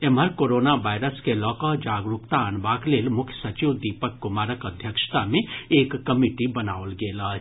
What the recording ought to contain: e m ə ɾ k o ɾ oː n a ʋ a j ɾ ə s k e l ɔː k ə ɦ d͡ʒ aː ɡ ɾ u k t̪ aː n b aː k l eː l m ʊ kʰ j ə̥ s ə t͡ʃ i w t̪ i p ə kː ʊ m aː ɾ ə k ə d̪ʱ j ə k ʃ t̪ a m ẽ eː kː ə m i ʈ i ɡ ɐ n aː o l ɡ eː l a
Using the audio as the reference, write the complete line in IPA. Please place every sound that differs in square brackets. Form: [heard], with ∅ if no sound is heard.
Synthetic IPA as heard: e m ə ɾ k o ɾ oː n a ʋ a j ɾ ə s k e l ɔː k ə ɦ d͡ʒ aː ɡ ɾ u k t̪ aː n b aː k l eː l m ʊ kʰ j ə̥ s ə t͡ʃ i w [d̪] i p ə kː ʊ m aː ɾ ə k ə d̪ʱ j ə k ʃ t̪ a m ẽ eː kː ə m i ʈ i [b] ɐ n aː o l ɡ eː l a